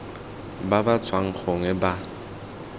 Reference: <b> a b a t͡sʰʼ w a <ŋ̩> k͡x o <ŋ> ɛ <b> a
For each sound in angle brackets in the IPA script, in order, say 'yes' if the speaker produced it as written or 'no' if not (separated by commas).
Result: yes, yes, yes, yes